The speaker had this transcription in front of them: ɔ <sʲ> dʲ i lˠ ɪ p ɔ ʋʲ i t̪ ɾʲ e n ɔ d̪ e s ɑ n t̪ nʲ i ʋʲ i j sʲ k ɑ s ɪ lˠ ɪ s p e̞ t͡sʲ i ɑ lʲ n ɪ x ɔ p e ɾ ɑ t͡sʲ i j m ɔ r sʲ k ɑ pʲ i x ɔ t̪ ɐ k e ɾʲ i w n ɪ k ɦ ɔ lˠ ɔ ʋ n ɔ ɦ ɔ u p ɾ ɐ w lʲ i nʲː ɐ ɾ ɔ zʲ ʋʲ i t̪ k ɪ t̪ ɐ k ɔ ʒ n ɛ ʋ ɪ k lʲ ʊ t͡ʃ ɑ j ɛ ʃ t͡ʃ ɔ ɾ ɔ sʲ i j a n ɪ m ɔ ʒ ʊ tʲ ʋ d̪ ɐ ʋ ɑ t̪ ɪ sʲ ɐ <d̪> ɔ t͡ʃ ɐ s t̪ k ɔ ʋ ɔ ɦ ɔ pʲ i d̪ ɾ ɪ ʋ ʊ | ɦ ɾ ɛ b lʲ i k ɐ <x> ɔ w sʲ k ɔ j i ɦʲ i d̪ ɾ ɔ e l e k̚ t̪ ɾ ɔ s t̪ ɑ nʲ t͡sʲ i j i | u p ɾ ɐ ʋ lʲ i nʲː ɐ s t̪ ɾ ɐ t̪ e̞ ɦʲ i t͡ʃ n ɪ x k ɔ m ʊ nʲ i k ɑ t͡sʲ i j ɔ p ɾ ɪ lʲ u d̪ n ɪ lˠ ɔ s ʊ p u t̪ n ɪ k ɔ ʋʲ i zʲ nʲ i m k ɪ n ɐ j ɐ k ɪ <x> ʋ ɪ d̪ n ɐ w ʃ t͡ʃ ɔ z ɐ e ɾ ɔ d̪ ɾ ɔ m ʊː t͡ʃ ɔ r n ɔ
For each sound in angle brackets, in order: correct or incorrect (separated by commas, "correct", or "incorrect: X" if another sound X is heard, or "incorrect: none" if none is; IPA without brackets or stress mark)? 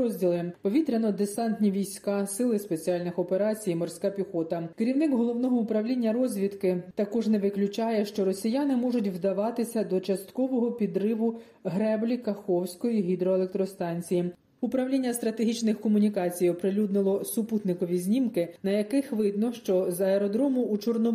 incorrect: zʲ, correct, correct, correct